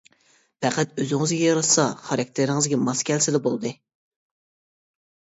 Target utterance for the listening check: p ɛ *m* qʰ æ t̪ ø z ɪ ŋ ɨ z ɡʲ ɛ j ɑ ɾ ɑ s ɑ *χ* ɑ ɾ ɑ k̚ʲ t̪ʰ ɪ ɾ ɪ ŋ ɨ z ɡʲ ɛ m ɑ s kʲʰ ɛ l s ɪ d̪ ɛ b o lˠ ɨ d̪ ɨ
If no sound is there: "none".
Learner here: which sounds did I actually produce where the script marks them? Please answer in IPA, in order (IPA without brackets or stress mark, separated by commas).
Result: none, χ